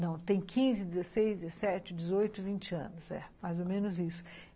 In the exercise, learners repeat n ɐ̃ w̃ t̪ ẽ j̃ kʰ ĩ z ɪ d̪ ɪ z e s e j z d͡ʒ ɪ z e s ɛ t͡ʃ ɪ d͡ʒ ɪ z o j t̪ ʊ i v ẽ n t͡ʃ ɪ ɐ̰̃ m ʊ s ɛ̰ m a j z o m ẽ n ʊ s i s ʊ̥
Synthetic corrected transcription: n ɐ̃ w̃ t̪ ẽ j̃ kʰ ĩ z ɪ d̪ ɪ z e s e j z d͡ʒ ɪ z e s ɛ t͡ʃ ɪ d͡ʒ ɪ z o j t̪ ʊ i v ĩ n t͡ʃ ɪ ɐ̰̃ n ʊ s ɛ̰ m a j z o m ẽ n ʊ z i s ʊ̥

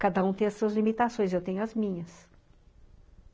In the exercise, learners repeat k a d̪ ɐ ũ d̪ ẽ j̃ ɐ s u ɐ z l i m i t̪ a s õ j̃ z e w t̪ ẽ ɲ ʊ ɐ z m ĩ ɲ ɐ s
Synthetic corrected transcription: k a d̪ ɐ ũ t̪ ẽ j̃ ɐ s u ɐ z l i m i t̪ a s õ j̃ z e w t̪ ẽ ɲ ʊ ɐ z m ĩ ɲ ɐ s

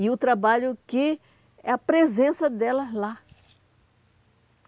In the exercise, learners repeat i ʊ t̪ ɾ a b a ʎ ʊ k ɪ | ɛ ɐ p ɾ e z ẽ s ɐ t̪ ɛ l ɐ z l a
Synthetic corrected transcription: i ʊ t̪ ɾ a b a ʎ ʊ k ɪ | ɛ ɐ p ɾ e z ẽ s ɐ d̪ ɛ l ɐ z l a

